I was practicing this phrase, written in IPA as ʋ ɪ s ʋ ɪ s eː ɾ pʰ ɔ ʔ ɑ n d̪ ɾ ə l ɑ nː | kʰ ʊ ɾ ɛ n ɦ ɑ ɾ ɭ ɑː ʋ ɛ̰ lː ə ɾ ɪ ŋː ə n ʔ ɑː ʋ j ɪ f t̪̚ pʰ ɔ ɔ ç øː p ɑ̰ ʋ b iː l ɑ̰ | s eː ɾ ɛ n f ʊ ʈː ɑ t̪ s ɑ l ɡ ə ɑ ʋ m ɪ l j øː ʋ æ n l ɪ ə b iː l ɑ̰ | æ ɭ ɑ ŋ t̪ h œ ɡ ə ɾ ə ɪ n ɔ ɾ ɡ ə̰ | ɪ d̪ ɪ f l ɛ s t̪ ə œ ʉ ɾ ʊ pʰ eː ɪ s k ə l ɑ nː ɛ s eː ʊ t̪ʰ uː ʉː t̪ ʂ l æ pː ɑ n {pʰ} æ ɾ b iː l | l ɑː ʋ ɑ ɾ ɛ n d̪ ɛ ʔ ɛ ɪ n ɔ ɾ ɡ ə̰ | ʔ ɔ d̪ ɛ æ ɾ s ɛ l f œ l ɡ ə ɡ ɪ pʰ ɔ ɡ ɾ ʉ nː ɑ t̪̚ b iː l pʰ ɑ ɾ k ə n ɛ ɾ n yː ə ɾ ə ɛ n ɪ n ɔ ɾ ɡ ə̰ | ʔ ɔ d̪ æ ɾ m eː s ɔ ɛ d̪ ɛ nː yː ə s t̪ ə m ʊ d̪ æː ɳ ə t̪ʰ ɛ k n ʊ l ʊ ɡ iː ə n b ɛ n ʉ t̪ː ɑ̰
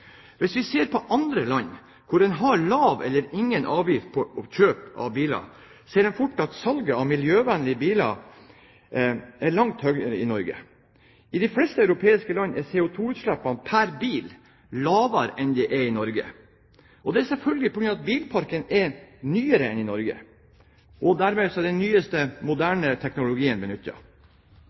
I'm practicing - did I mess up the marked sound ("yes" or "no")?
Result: no